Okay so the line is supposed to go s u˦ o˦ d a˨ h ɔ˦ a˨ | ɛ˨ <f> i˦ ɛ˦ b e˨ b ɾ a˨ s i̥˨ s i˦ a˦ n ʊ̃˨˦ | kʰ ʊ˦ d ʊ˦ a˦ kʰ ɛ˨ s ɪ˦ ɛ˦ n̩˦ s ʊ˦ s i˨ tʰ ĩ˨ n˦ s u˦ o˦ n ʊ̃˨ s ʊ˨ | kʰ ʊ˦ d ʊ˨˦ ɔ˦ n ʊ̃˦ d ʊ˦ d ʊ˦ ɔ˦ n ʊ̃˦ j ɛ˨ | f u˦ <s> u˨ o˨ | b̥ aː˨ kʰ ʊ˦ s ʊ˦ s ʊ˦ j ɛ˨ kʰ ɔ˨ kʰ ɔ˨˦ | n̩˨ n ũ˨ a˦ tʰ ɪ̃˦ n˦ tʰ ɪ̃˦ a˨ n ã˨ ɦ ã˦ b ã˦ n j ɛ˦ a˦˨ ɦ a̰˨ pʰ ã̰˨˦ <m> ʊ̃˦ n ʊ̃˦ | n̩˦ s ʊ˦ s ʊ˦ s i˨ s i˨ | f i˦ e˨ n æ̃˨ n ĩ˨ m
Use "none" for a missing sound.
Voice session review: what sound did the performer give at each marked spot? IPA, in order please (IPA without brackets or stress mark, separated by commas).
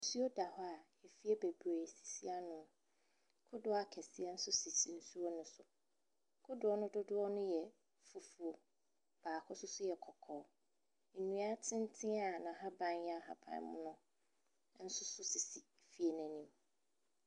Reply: f, f, m